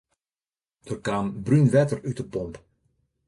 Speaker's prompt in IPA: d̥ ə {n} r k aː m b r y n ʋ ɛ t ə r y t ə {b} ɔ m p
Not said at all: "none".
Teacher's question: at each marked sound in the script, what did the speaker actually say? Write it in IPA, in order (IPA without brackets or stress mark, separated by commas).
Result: none, p